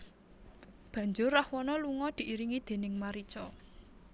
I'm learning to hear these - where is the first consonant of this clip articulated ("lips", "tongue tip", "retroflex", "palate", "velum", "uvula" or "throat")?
lips